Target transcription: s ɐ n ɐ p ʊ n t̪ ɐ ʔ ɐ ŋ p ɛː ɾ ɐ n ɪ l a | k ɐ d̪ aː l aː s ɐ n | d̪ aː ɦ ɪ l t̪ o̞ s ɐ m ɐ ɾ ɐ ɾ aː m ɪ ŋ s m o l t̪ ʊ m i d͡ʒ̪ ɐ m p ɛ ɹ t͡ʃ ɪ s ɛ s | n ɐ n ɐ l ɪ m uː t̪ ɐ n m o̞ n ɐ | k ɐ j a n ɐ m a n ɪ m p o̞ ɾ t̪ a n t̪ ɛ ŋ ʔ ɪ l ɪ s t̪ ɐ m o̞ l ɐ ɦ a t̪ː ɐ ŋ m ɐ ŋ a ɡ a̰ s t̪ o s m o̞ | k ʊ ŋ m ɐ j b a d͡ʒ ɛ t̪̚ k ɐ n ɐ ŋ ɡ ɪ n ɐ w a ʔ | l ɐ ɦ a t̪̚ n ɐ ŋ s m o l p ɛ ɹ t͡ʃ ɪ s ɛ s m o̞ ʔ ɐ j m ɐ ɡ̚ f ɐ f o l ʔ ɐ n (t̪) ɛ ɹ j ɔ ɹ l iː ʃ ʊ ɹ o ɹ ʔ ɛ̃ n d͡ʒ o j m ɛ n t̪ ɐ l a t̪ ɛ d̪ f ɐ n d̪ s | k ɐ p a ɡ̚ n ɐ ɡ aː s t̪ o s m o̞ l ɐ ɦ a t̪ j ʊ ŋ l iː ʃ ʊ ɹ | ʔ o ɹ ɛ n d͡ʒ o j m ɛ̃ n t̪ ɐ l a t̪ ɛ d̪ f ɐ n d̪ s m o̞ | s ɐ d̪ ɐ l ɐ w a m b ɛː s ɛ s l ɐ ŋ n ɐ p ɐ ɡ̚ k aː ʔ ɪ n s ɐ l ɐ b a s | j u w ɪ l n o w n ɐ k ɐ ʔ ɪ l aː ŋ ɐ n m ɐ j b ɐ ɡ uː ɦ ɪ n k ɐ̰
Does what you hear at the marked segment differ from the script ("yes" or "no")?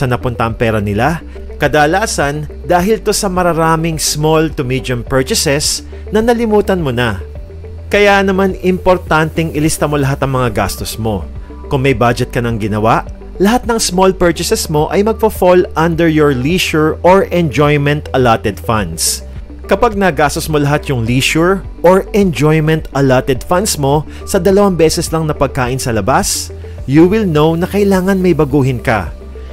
yes